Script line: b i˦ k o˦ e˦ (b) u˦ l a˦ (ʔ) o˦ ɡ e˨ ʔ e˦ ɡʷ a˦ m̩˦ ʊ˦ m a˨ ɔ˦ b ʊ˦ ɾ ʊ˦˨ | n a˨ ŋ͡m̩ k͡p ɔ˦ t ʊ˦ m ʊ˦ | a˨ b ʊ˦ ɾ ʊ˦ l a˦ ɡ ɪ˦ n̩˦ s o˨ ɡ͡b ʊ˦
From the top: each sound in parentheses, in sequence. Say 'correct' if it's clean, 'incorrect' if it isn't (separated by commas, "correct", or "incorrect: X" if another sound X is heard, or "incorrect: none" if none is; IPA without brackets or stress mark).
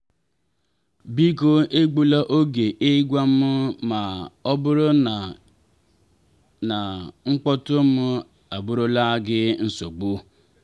incorrect: ɡ͡b, correct